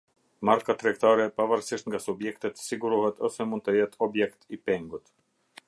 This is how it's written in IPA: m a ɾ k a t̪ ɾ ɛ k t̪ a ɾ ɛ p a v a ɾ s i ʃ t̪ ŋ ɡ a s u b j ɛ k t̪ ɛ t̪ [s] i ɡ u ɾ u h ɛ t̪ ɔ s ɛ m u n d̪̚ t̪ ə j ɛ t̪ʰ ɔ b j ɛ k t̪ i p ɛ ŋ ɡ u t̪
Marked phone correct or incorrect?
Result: correct